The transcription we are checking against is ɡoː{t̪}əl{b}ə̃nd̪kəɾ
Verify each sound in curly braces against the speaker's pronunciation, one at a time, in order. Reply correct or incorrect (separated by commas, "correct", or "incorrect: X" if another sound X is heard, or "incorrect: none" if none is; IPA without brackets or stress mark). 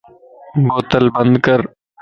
correct, correct